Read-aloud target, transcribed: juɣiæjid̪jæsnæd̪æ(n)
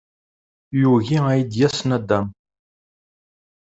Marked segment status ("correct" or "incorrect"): incorrect